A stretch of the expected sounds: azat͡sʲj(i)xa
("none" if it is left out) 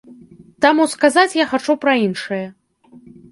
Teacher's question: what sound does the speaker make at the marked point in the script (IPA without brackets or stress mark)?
a